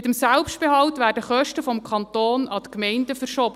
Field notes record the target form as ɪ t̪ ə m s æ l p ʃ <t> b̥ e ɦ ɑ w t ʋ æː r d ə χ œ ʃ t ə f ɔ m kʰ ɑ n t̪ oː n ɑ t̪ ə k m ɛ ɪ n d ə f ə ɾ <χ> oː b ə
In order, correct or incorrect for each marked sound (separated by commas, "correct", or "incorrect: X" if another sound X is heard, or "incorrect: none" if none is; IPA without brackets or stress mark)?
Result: correct, incorrect: ʃ